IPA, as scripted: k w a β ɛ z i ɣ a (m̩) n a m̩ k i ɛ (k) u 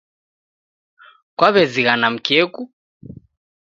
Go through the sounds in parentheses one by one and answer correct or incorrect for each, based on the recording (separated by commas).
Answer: incorrect, correct